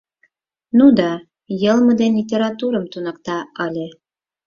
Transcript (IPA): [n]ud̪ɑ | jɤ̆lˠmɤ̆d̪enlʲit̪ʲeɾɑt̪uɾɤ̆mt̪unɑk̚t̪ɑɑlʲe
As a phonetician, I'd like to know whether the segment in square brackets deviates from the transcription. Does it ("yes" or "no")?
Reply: no